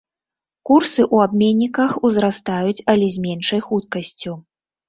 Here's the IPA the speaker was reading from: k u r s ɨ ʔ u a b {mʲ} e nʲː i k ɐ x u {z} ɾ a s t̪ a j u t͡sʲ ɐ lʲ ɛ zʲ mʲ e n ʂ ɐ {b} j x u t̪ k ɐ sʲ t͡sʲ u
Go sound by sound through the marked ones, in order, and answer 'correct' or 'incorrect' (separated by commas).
correct, correct, incorrect